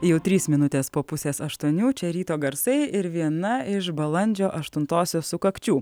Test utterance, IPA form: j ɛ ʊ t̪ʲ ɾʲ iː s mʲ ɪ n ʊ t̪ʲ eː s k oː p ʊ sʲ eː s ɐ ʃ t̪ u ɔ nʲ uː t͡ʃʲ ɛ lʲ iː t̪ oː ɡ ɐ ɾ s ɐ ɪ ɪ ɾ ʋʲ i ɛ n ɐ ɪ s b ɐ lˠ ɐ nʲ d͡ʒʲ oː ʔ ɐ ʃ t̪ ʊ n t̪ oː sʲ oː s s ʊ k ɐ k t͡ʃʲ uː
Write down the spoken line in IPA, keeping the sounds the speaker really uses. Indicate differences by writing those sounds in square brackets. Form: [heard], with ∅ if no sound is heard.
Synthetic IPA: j ɛ ʊ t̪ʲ ɾʲ iː s mʲ ɪ n ʊ t̪ʲ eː s [p] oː p ʊ sʲ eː s ɐ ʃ t̪ u ɔ nʲ uː t͡ʃʲ ɛ [ɾʲ] iː t̪ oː ɡ ɐ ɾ s ɐ ɪ ɪ ɾ ʋʲ i ɛ n ɐ ɪ [ʃ] b ɐ lˠ ɐ nʲ d͡ʒʲ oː ʔ ɐ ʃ t̪ ʊ n t̪ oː sʲ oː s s ʊ k ɐ k t͡ʃʲ uː